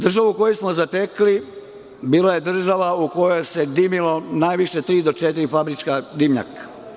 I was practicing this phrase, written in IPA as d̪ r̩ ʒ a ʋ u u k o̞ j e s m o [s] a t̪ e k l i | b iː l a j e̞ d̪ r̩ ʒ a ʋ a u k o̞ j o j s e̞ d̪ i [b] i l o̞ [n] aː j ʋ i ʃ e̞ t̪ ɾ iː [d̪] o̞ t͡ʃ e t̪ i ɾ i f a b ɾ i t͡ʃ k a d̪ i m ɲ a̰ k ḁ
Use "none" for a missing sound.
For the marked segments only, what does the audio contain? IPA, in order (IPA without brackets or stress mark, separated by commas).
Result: z, m, n, d̪